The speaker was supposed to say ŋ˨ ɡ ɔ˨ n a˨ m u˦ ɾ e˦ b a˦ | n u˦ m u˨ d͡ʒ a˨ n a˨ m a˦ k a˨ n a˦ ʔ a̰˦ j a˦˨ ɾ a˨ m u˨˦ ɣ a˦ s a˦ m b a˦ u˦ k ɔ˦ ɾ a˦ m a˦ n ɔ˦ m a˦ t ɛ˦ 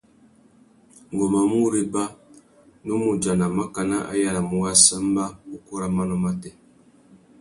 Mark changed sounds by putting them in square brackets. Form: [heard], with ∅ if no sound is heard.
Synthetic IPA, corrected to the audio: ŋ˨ ɡ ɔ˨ [m] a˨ m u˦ ɾ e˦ b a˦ | n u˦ m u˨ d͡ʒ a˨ n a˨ m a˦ k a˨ n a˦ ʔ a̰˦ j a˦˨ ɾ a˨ m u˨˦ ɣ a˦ s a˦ m b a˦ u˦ k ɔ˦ ɾ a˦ m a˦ n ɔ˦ m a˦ t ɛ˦